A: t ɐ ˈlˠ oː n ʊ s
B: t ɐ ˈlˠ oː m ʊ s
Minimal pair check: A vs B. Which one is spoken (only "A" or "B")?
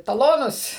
A